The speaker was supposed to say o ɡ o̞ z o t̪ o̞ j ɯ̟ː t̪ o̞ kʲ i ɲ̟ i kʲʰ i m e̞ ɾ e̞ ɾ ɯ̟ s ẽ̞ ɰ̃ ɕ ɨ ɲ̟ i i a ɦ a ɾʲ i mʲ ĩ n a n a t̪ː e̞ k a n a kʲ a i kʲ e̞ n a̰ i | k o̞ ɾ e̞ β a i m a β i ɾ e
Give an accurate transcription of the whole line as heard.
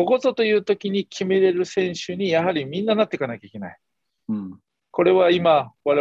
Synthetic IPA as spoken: o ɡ o̞ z o t̪ o̞ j ɯ̟ː t̪ o̞ kʲ i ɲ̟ i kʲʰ i m e̞ ɾ e̞ ɾ ɯ̟ s ẽ̞ ɰ̃ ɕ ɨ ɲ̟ i j a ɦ a ɾʲ i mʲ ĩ nː a n a t̪ː e̞ k a n a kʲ a i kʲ e̞ n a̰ i | k o̞ ɾ e̞ β a i m a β a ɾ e